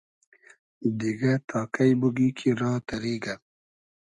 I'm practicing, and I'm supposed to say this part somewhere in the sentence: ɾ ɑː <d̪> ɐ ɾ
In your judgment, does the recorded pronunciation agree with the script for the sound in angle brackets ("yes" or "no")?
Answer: no